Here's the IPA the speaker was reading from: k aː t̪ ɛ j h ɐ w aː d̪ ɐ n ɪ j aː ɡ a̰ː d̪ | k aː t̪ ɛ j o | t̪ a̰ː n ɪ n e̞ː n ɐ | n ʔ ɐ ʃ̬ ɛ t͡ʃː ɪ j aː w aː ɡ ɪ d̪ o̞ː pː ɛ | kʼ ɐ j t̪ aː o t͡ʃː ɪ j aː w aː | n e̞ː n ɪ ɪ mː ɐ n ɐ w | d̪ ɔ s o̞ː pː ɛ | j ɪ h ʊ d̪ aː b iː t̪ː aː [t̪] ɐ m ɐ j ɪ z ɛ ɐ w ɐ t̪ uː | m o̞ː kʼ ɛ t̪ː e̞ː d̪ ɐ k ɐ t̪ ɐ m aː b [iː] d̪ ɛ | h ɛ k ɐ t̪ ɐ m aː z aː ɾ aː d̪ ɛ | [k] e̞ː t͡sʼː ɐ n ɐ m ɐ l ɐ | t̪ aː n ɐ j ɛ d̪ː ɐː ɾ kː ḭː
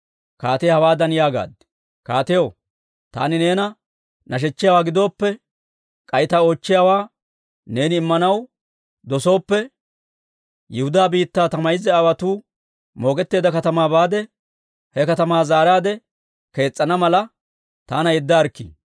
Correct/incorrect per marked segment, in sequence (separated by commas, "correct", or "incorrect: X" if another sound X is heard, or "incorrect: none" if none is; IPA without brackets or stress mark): correct, incorrect: aː, correct